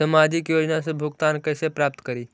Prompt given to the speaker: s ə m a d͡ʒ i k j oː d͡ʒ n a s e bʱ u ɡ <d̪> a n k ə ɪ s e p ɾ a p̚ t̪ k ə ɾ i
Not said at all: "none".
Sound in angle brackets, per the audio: t̪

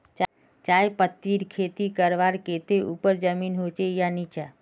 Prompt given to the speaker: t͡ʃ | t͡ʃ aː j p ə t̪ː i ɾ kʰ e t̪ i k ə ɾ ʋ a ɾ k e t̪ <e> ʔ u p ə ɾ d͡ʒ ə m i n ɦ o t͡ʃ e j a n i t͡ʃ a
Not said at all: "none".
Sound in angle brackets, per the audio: e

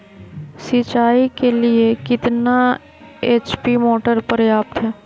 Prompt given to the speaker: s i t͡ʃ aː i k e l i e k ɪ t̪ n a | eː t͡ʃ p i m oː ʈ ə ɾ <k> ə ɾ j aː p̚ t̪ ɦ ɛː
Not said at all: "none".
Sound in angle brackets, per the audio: p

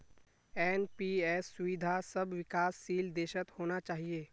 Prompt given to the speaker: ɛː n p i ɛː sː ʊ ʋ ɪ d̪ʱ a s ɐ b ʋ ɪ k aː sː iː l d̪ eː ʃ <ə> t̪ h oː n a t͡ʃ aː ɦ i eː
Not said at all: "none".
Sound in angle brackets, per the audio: ə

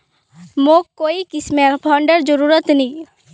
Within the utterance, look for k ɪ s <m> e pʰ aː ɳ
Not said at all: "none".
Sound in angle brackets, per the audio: m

